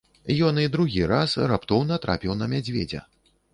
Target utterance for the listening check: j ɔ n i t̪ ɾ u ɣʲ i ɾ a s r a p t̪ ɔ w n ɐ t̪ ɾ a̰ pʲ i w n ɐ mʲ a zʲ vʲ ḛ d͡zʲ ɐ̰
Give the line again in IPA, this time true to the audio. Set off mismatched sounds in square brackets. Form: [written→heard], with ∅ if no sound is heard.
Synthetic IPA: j ɔ n i [t̪→d̪] ɾ u ɣʲ i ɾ a s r a p t̪ ɔ w n ɐ t̪ ɾ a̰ pʲ i w n ɐ mʲ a [zʲ→d͡zʲ] vʲ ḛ d͡zʲ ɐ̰